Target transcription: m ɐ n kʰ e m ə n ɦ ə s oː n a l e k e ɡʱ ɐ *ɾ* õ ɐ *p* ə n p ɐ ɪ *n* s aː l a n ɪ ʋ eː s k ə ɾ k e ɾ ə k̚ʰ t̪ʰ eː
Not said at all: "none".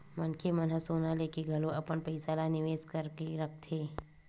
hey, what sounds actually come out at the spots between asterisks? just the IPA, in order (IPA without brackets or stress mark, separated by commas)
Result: l, p, none